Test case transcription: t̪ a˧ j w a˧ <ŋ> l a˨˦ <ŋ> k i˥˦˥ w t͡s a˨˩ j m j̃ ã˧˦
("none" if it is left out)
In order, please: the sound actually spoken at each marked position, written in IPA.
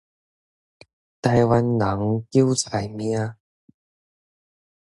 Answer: n, ŋ

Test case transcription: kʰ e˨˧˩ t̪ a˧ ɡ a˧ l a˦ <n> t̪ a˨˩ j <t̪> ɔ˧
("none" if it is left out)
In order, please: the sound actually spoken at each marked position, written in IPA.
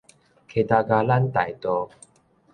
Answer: n, t̪

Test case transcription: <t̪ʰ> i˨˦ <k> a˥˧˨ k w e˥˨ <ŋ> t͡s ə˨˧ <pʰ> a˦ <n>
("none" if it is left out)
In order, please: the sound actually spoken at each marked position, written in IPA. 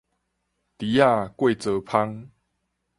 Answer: t̪, none, none, pʰ, ŋ

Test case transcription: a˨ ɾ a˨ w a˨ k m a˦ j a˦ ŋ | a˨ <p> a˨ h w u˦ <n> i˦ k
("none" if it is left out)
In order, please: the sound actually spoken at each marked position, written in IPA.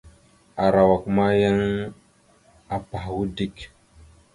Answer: p, d

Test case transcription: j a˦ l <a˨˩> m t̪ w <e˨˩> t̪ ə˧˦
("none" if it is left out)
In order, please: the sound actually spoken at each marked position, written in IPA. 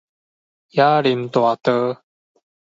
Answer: i˨˩, a˨˩

